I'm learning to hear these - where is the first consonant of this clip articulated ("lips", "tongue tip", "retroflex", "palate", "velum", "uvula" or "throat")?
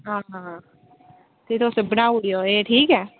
throat